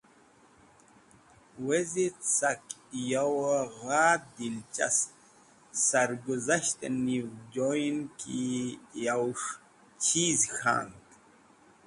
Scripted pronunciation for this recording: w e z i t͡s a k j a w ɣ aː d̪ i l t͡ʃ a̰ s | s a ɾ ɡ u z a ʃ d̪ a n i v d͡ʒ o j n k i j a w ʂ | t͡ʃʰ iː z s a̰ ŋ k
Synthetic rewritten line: w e z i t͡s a k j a w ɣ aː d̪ i l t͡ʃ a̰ s | s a ɾ ɡ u z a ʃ t̪ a n i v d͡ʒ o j n k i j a w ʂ | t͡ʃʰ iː z x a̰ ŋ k